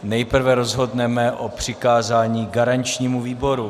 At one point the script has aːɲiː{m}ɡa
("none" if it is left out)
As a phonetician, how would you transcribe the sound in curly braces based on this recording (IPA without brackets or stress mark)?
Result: none